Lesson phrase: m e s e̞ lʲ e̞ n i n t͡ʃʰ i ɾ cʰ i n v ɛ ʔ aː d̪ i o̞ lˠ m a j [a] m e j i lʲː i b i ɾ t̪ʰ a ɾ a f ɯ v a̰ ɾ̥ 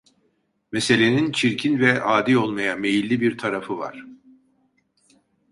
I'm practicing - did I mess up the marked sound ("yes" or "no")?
no